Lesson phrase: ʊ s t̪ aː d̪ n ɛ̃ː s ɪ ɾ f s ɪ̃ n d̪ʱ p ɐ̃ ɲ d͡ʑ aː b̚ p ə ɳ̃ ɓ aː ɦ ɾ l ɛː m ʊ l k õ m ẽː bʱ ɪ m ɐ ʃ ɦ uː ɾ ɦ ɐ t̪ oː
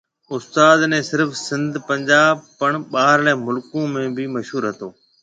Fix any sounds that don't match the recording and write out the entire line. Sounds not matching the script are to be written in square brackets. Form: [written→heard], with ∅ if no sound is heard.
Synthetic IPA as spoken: ʊ s t̪ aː d̪ n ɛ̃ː s ɪ ɾ f s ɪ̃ n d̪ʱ p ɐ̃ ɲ d͡ʑ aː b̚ p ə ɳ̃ ɓ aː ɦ ɾ l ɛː m ʊ l k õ m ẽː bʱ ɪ m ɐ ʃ ɦ uː ɾ ɦ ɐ t̪ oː